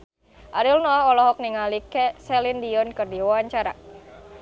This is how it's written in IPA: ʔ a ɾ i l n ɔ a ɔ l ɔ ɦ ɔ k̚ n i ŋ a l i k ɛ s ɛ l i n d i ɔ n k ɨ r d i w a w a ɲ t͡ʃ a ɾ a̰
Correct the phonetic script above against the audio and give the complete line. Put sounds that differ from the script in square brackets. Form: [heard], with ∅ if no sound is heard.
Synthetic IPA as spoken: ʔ a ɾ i l n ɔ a ɔ l ɔ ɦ ɔ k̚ n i ŋ a l i k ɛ s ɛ l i n d i ɔ n k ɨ r d i w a w a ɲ t͡ʃ a ɾ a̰